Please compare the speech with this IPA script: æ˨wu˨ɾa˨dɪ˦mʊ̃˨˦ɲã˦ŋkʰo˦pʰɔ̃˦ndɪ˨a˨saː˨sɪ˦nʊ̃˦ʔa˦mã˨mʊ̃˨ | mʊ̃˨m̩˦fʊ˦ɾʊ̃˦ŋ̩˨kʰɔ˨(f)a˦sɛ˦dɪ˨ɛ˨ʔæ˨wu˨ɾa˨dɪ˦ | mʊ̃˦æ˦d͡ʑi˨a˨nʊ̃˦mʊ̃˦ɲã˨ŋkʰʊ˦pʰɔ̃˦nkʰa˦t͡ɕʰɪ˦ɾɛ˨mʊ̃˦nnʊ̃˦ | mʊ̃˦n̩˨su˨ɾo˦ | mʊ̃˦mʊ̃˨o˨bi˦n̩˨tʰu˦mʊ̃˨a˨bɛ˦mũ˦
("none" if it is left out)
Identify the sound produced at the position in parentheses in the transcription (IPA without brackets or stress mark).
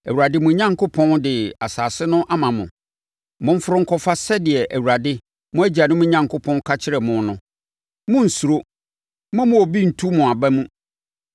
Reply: f